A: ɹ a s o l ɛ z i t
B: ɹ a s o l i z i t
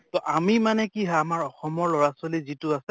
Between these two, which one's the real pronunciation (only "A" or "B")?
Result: B